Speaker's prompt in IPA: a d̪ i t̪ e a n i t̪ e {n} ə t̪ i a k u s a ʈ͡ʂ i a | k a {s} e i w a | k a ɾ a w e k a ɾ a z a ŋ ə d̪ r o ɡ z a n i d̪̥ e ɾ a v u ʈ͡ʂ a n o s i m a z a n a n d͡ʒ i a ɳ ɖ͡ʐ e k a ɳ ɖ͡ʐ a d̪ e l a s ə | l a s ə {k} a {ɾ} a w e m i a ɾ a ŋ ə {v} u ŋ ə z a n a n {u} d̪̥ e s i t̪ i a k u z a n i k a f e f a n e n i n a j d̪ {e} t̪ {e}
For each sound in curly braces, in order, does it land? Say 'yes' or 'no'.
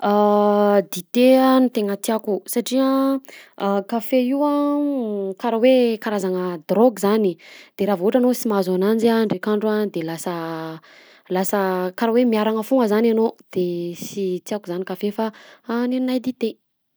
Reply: no, no, yes, yes, no, no, no, yes

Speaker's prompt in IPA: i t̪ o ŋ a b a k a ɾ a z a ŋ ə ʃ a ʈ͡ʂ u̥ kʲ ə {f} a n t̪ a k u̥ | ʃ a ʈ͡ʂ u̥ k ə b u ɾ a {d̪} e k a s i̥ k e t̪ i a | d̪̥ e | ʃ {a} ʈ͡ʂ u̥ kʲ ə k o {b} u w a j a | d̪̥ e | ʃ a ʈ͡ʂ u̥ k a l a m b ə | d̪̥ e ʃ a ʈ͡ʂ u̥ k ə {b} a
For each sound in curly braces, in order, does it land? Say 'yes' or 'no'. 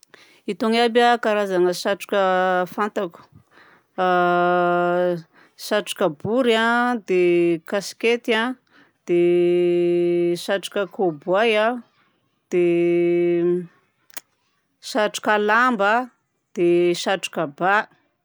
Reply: yes, yes, yes, yes, yes

